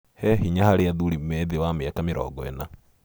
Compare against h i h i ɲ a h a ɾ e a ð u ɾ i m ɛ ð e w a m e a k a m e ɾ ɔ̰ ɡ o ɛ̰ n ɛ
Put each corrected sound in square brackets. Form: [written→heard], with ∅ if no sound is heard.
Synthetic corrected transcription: h [i→ɛ] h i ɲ a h a ɾ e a ð u ɾ i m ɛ ð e w a m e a k a m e ɾ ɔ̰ ɡ [o→ɔ] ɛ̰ n [ɛ→a]